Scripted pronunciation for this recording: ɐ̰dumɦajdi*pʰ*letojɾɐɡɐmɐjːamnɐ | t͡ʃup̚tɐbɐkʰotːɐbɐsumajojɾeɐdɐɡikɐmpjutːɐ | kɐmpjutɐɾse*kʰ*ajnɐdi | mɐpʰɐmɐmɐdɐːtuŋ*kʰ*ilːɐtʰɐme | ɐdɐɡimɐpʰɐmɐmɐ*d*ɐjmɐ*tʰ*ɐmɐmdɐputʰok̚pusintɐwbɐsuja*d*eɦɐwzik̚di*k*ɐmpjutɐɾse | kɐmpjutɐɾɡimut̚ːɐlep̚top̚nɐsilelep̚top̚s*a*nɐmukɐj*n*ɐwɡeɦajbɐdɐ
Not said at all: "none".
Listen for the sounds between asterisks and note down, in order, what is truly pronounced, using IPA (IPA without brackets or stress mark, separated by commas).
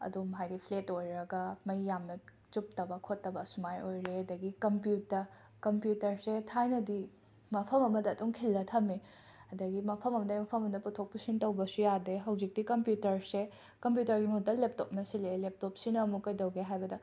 pʰ, tʰ, kʰ, d, pʰ, d, k, i, d